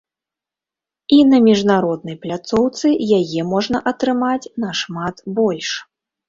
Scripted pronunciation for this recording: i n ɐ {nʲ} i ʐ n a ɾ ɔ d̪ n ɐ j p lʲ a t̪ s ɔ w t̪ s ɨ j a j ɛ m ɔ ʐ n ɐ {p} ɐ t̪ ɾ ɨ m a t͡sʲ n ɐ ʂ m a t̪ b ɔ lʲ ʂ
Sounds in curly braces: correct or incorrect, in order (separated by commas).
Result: incorrect, incorrect